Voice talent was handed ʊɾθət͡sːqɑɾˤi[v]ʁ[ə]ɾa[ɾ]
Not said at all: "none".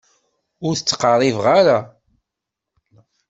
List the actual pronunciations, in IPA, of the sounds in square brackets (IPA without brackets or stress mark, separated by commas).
v, a, none